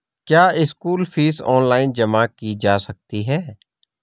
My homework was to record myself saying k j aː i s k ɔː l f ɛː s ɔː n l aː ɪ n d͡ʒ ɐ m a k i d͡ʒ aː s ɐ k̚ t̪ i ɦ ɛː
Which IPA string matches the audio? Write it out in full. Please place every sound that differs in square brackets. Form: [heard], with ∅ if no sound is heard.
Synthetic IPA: k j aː [ɪ] s k [uː] l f [iː] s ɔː n l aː ɪ n d͡ʒ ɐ m a k i d͡ʒ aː s ɐ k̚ t̪ i ɦ ɛː